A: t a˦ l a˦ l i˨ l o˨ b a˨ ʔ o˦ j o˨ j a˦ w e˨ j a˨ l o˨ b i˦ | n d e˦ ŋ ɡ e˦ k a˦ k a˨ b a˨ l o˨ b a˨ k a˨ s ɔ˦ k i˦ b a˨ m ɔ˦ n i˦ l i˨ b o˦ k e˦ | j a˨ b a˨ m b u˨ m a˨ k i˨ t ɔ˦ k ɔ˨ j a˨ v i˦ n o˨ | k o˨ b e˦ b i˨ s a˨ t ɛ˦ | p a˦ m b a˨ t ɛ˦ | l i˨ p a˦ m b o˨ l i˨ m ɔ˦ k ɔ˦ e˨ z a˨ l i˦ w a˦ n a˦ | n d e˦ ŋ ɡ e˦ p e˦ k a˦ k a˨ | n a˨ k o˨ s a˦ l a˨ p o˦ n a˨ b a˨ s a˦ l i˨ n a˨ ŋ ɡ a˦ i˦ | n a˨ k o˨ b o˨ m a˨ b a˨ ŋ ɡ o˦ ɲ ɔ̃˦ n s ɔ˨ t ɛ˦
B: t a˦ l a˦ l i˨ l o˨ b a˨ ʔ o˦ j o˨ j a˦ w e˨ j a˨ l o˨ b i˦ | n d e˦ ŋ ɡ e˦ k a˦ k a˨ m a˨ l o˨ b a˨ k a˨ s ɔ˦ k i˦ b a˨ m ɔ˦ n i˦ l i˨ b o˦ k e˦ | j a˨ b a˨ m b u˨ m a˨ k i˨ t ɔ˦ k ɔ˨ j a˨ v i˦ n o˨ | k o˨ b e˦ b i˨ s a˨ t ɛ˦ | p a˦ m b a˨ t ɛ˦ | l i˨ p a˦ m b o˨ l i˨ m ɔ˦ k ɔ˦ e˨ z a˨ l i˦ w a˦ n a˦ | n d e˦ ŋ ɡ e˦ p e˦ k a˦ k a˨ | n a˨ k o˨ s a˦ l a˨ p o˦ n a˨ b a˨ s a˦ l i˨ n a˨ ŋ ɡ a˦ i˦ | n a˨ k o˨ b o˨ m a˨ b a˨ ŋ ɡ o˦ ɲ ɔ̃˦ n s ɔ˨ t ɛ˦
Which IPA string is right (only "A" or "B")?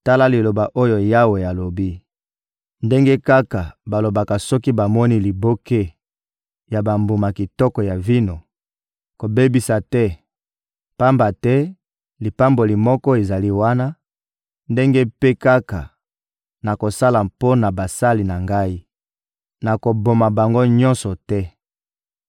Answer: A